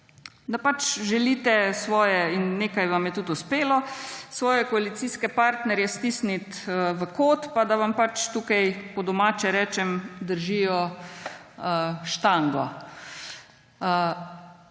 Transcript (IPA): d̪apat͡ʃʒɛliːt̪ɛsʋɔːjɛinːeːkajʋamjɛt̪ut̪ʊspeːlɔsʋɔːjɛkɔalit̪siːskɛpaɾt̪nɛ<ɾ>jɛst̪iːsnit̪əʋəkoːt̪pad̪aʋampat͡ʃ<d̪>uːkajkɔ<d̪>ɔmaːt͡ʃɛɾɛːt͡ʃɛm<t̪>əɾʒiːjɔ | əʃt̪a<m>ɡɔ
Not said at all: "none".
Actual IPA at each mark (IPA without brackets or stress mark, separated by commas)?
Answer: ɾ, t̪, d̪, d̪, ŋ